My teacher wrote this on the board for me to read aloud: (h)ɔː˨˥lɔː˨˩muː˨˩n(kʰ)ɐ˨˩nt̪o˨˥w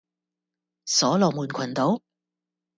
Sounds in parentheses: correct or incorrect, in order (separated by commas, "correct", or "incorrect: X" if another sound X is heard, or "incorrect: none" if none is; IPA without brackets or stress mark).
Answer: incorrect: s, correct